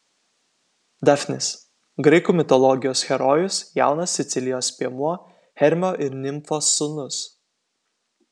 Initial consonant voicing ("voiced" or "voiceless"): voiced